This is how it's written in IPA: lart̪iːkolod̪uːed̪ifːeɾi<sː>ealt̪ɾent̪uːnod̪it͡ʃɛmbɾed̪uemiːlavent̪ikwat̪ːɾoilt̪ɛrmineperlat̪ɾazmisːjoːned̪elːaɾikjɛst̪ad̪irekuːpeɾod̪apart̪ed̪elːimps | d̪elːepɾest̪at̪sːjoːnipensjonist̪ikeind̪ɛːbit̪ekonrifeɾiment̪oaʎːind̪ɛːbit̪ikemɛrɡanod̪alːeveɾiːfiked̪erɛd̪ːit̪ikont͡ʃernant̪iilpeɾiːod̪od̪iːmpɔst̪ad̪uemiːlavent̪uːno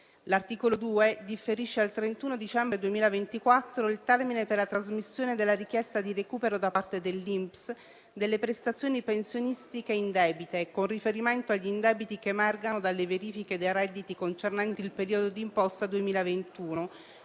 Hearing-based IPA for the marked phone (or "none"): ʃː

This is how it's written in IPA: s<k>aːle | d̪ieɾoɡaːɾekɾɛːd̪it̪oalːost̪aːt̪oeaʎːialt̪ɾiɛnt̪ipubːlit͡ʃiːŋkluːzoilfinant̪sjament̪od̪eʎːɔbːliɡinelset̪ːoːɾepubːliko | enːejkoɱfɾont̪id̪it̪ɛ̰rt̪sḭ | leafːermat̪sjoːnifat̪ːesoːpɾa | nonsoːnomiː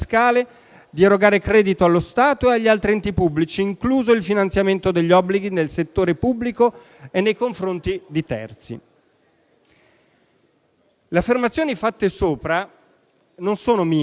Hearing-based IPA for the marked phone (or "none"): k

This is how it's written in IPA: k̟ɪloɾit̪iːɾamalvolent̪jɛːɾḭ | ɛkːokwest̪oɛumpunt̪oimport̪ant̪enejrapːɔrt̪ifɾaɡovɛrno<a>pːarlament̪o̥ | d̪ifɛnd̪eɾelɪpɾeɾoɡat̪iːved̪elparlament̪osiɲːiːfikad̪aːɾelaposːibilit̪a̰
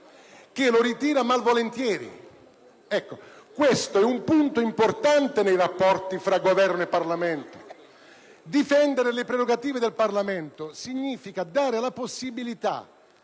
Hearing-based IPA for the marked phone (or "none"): e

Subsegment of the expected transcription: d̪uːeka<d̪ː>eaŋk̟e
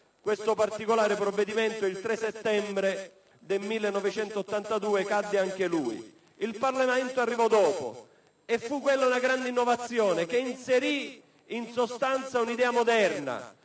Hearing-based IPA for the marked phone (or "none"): d̪ː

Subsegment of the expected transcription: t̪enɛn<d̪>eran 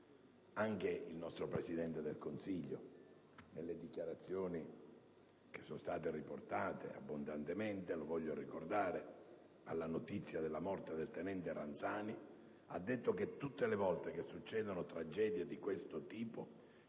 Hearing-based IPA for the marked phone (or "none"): t̪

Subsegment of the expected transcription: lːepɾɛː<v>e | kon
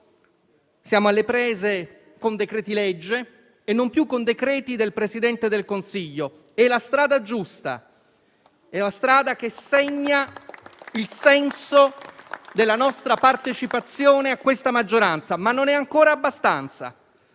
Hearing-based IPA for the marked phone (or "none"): z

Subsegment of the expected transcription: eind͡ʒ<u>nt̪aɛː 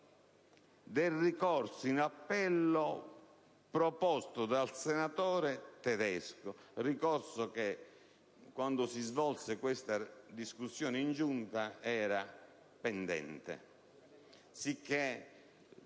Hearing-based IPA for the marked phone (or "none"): u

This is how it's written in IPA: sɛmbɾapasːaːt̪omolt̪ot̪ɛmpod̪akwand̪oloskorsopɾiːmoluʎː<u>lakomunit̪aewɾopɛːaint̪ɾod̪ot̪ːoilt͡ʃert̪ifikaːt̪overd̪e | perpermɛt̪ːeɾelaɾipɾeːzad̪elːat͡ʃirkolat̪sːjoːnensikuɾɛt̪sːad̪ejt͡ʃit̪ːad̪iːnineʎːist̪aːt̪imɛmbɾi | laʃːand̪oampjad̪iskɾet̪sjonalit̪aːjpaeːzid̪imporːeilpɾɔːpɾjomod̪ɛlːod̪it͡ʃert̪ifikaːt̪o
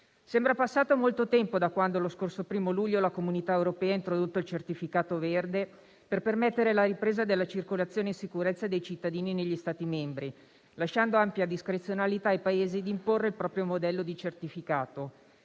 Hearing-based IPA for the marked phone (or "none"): o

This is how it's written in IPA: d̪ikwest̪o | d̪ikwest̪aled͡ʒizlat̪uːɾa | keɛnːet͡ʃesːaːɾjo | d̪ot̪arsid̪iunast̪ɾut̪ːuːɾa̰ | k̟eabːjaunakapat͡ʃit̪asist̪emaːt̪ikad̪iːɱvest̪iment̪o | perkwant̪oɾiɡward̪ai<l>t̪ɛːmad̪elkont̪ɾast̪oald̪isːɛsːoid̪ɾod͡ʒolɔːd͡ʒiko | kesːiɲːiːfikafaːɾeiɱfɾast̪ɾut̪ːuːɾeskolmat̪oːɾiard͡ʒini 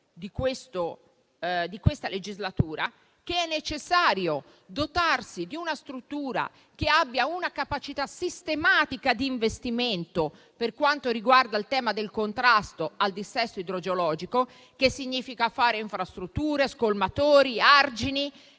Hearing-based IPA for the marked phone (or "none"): l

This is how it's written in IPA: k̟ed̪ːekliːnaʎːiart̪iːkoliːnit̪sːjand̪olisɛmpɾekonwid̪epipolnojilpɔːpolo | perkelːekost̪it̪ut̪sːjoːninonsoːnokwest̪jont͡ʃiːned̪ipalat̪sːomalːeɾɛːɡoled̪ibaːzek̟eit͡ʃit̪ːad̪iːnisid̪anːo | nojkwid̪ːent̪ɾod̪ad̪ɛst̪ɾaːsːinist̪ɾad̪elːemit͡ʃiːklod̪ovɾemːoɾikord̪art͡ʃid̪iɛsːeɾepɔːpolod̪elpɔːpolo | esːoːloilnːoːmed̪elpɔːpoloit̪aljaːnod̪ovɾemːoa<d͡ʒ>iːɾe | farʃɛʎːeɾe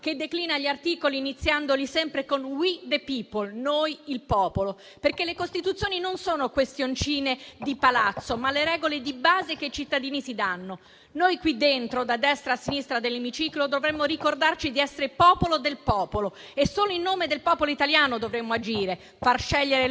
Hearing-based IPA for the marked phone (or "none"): d͡ʒ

